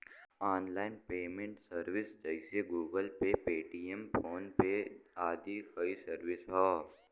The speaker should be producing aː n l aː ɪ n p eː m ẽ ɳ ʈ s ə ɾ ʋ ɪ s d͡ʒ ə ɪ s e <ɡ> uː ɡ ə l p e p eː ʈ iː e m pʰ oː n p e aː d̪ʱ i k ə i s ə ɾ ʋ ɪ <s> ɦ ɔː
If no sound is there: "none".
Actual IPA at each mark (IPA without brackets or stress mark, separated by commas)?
ɡ, s